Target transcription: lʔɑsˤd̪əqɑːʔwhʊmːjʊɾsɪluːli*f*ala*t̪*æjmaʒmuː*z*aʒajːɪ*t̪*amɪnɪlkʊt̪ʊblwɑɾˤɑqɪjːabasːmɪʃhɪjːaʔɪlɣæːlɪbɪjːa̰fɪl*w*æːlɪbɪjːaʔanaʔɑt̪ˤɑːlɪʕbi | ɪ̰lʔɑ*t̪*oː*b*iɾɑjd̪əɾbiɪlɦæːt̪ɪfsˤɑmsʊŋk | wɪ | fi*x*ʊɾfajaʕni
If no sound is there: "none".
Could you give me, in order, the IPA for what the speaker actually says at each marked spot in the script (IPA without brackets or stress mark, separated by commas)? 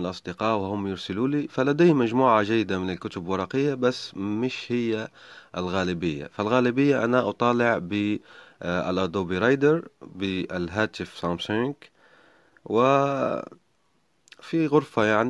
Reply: f, d̪, ʕ, d̪, ɣ, d̪, b, ɣ